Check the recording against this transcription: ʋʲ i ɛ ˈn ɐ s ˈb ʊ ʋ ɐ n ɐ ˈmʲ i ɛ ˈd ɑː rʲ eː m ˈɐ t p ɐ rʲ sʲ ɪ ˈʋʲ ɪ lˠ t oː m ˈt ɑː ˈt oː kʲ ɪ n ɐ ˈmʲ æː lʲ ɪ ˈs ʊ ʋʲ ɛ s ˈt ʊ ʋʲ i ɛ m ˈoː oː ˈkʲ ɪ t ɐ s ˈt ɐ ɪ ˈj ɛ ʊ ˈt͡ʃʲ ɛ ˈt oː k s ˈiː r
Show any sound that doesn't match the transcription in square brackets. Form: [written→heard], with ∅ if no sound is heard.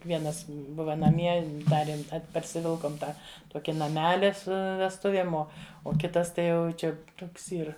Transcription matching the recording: ʋʲ i ɛ ˈn ɐ s ˈb ʊ ʋ ɐ n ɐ ˈmʲ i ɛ ˈd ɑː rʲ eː m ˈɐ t p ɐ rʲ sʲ ɪ ˈʋʲ ɪ lˠ [t→k] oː m ˈt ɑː ˈt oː kʲ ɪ n ɐ ˈmʲ æː lʲ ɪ ˈs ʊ ʋʲ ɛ s ˈt ʊ ʋʲ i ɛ m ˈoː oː ˈkʲ ɪ t ɐ s ˈt ɐ ɪ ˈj ɛ ʊ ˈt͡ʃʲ ɛ ˈt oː k s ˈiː r